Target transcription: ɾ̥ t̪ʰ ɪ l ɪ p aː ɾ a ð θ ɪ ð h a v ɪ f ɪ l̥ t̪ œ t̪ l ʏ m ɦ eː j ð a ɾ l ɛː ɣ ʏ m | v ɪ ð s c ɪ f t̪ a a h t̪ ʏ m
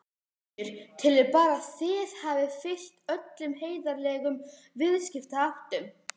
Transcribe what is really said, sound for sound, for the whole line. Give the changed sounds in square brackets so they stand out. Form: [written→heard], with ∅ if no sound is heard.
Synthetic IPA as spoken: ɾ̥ t̪ʰ ɪ l ɪ p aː ɾ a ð θ ɪ ð h a v ɪ f ɪ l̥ t̪ œ t̪ l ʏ m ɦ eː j ð a ɾ l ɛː ɣ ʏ m | v ɪ ð s c ɪ f t̪ a a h t̪ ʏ m